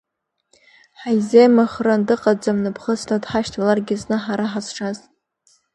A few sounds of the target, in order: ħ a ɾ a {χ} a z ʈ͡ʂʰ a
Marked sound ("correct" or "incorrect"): incorrect